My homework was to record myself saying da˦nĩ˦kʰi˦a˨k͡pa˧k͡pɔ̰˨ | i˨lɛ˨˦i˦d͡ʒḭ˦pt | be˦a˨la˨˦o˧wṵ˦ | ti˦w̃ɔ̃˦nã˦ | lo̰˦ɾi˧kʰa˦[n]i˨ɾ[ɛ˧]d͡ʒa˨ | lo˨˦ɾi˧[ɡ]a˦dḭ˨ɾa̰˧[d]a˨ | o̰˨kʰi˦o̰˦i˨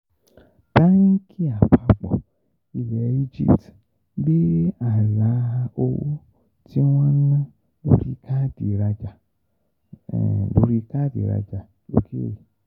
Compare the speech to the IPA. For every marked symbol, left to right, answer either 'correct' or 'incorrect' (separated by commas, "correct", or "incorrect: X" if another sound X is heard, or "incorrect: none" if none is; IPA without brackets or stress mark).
incorrect: d, incorrect: a˧, incorrect: k, incorrect: d͡ʒ